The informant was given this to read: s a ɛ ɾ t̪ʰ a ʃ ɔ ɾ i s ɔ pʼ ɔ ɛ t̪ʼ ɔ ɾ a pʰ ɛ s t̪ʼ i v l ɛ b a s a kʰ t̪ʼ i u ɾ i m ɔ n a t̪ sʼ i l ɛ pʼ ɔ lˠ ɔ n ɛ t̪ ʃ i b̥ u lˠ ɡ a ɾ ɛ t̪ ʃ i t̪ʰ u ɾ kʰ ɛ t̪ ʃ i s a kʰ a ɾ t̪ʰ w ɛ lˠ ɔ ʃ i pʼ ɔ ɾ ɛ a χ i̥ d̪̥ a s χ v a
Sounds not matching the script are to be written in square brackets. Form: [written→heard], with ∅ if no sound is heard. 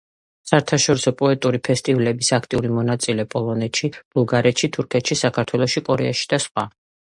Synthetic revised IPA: s a ɛ ɾ t̪ʰ a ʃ ɔ ɾ i s ɔ pʼ ɔ ɛ t̪ʼ [ɔ→u] ɾ [a→i] pʰ ɛ s t̪ʼ i v l ɛ b [a→i] s a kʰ t̪ʼ i u ɾ i m ɔ n a t̪ sʼ i l ɛ pʼ ɔ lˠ ɔ n ɛ t̪ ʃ i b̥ u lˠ ɡ a ɾ ɛ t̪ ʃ i t̪ʰ u ɾ kʰ ɛ t̪ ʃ i s a kʰ a ɾ t̪ʰ w ɛ lˠ ɔ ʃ i [pʼ→kʼ] ɔ ɾ ɛ a [χ→ʃ] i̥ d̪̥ a s χ [v→w] a

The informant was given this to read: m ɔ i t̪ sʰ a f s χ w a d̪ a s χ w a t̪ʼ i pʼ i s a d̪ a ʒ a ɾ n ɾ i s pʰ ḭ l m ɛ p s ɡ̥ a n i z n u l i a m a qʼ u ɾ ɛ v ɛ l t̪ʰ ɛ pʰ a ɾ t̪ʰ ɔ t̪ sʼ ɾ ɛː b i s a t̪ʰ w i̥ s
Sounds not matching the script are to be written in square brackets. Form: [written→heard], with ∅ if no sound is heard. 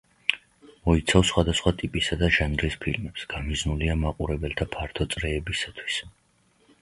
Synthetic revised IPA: m ɔ i t̪ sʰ a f s χ w a d̪ a s χ w a t̪ʼ i pʼ i s a d̪ a ʒ a [ɾ→∅] n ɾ i s pʰ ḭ l m ɛ p s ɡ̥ a [n→m] i z n u l i a m a qʼ u ɾ ɛ [v→b] ɛ l t̪ʰ [ɛ→a] pʰ a ɾ t̪ʰ ɔ t̪ sʼ ɾ ɛː b i s a t̪ʰ w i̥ s

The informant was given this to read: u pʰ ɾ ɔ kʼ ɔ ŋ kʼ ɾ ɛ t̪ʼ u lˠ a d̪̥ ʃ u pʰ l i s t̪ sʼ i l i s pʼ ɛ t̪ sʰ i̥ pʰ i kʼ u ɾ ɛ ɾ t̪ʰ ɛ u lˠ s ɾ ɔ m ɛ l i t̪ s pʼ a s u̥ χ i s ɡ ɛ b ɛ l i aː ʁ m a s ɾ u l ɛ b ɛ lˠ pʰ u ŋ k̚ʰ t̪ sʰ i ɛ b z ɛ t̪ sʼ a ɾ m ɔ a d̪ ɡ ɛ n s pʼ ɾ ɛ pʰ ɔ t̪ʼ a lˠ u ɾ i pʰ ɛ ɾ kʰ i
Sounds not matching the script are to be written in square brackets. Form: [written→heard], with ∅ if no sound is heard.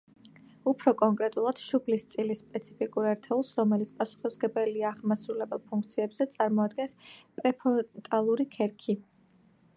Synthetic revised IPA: u pʰ ɾ ɔ kʼ ɔ ŋ kʼ ɾ ɛ t̪ʼ u lˠ a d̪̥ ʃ u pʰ l i s t̪ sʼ i l i s pʼ ɛ t̪ sʰ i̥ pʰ i kʼ u ɾ ɛ ɾ t̪ʰ ɛ u lˠ s ɾ ɔ m ɛ l i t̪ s pʼ a s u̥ χ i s ɡ ɛ b ɛ l i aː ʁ m a s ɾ u l ɛ b ɛ lˠ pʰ u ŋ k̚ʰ t̪ sʰ i ɛ b z ɛ t̪ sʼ a ɾ m ɔ a d̪ ɡ ɛ n s pʼ ɾ ɛ pʰ ɔ t̪ʼ a lˠ u ɾ i [pʰ→kʰ] ɛ ɾ kʰ i

